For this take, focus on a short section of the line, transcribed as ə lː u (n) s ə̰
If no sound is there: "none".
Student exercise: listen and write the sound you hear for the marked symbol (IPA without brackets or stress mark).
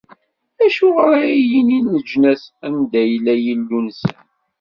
n